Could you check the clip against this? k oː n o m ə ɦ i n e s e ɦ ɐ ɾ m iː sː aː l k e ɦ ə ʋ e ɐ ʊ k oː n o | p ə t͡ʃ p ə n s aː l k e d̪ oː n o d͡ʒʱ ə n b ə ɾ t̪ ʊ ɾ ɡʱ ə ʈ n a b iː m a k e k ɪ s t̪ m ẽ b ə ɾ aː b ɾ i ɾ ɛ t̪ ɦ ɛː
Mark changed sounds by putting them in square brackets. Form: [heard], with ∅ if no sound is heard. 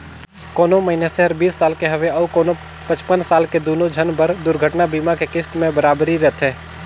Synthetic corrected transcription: k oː n o m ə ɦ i n e s e ɦ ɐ ɾ [b] iː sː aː l k e ɦ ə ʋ e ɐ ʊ k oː n o | p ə t͡ʃ p ə n s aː l k e d̪ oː n o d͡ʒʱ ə n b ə ɾ [d̪] ʊ ɾ ɡʱ ə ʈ n a b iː m a k e k ɪ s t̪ m ẽ b ə ɾ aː b ɾ i ɾ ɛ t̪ ɦ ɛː